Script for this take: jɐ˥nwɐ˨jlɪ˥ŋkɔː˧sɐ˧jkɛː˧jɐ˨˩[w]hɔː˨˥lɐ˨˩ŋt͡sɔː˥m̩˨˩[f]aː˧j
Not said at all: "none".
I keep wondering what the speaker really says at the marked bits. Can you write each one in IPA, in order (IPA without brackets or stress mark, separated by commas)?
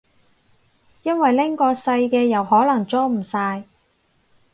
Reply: w, s